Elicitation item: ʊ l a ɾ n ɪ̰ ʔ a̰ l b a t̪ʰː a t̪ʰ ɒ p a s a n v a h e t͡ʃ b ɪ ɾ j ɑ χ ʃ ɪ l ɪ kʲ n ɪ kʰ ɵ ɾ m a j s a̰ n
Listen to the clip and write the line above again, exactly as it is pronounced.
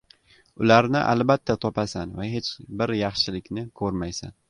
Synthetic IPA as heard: ʊ l a ɾ n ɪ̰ ʔ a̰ l b a t̪ʰː a t̪ʰ ɒ p a s a n v a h e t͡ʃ b ɪ ɾ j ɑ χ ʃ ɪ l ɪ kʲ n ɪ kʰ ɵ ɾ m a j s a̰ n